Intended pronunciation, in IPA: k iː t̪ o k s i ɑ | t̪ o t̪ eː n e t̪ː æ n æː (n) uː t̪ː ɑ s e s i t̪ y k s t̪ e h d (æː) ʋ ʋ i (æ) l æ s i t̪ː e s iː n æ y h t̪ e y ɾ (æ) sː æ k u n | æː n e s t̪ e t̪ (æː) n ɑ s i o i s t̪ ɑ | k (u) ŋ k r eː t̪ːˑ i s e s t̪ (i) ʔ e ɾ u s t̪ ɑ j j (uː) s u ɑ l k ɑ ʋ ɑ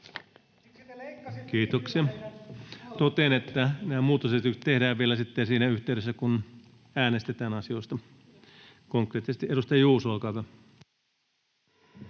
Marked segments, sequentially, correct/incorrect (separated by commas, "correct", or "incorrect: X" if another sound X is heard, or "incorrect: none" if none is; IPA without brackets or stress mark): incorrect: m, correct, incorrect: e, incorrect: e, correct, incorrect: o, correct, correct